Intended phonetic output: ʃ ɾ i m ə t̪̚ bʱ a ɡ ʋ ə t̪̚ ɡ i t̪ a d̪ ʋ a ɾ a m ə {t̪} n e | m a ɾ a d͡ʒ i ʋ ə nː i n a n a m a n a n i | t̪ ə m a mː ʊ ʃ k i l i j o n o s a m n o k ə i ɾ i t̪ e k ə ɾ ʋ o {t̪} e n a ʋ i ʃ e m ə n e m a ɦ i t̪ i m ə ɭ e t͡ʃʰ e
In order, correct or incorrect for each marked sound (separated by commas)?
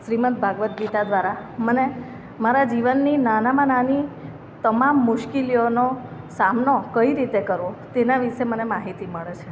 incorrect, correct